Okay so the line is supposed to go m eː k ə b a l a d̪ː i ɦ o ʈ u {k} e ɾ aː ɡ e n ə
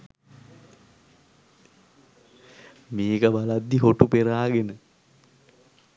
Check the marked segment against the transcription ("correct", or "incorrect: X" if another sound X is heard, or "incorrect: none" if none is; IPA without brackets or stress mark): incorrect: p